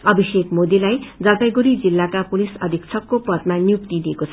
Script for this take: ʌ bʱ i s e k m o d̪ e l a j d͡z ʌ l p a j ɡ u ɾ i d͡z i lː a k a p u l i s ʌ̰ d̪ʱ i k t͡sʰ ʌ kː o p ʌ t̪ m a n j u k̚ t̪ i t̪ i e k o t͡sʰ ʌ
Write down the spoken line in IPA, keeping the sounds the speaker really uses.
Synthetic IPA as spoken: ʌ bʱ i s e k m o d̪ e l a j d͡z ʌ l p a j ɡ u ɾ i d͡z i lː a k a p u l i s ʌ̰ d̪ʱ i k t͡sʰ ʌ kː o p ʌ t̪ m a n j u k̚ t̪ i d̪ i e k o t͡sʰ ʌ